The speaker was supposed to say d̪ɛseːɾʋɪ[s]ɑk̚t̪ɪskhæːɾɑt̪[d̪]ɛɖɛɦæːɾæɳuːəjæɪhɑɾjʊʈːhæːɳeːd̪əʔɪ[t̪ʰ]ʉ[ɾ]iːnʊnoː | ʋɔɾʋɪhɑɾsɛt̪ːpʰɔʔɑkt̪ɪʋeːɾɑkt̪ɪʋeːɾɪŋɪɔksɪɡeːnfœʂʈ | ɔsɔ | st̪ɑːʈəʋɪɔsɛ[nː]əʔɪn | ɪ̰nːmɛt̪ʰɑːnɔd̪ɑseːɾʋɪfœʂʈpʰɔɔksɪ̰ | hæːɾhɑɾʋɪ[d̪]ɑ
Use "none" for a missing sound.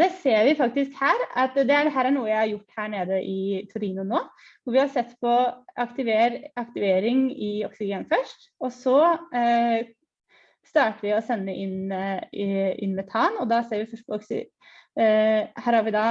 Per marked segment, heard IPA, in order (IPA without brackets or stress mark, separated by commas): f, d̪, t̪ʰ, ɾ, nː, d̪